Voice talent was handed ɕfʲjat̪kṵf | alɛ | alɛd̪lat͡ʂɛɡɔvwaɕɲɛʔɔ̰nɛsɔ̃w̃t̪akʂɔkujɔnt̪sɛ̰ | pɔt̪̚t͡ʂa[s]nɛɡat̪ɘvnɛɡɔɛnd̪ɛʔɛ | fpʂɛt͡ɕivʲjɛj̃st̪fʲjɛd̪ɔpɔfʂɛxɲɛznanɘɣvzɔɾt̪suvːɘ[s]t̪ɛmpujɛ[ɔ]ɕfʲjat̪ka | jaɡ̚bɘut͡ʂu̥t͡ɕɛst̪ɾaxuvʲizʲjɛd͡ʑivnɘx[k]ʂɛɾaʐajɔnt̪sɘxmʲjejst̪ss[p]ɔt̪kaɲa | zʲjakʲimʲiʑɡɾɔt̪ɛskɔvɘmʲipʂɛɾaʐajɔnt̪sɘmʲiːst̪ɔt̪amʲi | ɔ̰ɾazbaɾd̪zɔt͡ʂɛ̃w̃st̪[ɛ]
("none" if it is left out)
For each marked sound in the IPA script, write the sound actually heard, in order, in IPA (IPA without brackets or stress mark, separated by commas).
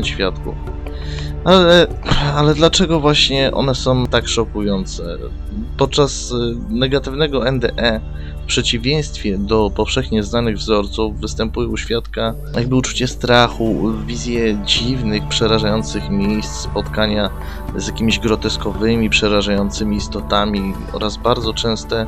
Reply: s, s, u, p, p, ɛ